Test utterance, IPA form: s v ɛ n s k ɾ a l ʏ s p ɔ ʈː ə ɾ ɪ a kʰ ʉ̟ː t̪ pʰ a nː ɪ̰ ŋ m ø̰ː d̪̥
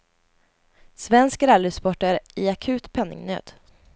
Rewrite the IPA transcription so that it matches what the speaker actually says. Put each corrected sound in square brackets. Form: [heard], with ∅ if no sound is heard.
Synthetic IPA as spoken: s v ɛ n s k ɾ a l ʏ s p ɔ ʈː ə ɾ ɪ a kʰ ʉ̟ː t̪ pʰ [ɛ] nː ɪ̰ ŋ [n] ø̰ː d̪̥